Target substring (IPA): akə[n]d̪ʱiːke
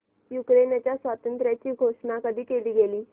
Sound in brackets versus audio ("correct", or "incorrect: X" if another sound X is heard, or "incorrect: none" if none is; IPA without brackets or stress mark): incorrect: none